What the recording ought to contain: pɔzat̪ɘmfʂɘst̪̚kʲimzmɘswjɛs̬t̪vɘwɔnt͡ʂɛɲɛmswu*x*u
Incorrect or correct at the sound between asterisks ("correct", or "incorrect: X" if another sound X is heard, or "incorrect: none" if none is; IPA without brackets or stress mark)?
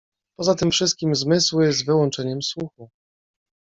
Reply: correct